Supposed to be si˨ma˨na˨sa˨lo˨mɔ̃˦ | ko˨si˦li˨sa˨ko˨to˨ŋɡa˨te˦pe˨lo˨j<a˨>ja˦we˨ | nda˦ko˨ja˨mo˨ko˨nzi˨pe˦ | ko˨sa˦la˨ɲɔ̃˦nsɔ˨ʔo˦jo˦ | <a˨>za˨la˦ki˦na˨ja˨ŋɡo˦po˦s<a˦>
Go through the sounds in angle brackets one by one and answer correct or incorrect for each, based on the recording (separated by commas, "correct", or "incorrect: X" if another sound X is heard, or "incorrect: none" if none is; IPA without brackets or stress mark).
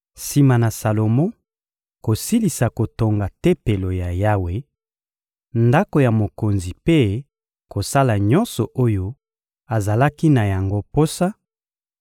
correct, correct, correct